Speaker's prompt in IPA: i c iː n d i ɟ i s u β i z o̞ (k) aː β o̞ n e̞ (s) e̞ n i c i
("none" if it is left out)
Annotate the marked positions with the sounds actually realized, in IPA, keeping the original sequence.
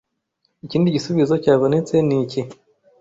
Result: c, t͡s

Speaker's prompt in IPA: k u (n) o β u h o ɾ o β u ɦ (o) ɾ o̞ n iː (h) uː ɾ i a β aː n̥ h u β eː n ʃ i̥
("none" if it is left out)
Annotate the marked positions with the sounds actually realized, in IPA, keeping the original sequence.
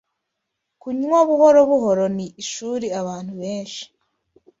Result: ɲ, o, ʃ

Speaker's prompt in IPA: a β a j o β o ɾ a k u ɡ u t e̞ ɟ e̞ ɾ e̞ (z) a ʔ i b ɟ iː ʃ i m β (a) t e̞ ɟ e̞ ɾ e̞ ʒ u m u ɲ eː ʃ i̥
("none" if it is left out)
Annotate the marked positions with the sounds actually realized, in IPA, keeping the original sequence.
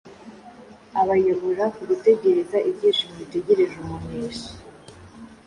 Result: z, i

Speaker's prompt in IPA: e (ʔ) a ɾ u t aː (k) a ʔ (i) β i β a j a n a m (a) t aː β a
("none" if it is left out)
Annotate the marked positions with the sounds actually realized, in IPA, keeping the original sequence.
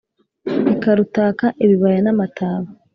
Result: k, k, e, a

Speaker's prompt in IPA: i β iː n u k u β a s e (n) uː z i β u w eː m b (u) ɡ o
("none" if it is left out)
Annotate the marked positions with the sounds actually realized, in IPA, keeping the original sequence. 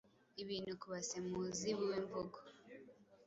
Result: m, o

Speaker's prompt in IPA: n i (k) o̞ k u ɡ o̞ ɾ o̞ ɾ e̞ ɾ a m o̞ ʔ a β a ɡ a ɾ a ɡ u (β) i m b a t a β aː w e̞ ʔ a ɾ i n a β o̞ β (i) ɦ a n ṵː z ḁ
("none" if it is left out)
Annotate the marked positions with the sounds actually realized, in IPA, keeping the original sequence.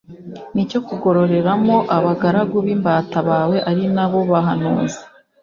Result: c, β, a

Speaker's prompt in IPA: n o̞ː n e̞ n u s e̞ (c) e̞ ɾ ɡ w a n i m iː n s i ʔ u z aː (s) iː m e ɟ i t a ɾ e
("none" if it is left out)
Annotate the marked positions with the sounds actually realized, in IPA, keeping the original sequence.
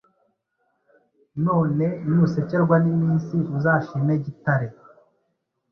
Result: c, ʃ

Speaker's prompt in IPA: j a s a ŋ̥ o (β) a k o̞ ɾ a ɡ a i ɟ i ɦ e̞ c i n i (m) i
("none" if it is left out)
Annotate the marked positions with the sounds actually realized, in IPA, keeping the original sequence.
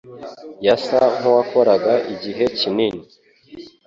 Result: w, n

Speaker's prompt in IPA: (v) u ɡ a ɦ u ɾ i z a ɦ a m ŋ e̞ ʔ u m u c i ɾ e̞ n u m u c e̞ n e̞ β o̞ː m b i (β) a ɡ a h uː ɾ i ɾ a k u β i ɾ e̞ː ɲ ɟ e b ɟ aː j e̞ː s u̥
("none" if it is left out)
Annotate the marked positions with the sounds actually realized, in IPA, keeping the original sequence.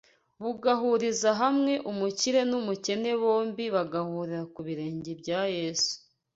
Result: β, β

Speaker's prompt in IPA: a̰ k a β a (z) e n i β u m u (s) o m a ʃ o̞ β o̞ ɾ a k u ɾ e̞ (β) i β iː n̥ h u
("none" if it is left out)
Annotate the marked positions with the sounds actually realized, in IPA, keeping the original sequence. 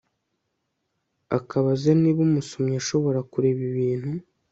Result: z, s, β

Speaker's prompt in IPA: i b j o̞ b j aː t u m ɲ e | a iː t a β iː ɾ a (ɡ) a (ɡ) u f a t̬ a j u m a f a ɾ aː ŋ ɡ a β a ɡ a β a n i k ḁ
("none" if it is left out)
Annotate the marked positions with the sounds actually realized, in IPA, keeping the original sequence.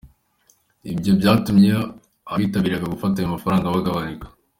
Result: ɡ, ɡ

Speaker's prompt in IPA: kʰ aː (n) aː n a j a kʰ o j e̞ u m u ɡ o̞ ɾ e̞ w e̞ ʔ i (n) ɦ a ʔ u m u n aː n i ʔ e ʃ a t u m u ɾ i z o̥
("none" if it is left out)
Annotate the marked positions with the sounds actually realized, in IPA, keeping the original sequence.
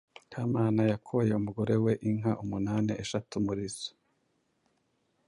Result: m, ŋ

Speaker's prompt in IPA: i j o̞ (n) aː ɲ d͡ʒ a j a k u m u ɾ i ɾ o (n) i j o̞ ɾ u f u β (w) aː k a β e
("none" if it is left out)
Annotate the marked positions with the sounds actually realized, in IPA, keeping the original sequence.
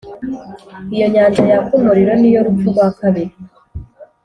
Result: ɲ, n, w

